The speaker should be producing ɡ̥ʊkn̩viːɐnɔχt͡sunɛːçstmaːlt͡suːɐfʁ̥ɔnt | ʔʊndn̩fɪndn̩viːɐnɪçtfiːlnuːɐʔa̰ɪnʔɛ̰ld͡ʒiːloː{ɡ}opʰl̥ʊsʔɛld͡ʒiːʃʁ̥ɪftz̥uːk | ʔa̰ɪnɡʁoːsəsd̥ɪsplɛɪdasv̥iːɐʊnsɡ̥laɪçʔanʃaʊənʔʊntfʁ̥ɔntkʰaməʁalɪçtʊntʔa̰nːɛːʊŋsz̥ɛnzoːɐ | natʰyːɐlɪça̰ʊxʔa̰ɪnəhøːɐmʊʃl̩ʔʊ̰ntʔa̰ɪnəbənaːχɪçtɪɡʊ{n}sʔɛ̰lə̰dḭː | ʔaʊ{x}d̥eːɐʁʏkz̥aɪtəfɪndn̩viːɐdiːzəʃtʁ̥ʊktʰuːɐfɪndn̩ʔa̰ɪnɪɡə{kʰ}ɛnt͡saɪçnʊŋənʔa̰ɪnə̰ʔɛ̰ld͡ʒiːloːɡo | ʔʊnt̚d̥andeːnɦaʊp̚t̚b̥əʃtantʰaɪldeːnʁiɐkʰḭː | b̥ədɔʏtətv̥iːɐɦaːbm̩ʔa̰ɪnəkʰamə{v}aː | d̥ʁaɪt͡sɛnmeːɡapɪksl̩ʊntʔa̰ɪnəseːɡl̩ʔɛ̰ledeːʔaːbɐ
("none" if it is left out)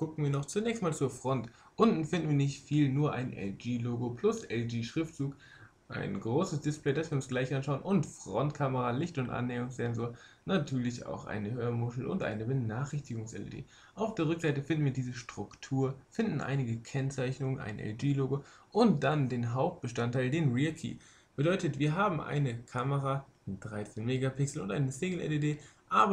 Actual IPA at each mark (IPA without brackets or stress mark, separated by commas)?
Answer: ɡ, ŋ, f, kʰ, ʁ